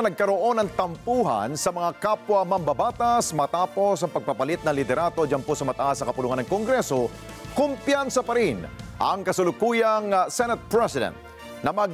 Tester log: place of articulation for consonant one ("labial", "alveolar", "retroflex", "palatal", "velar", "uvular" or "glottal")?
alveolar